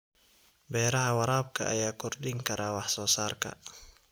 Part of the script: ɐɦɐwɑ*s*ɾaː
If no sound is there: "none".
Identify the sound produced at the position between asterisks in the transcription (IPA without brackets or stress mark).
none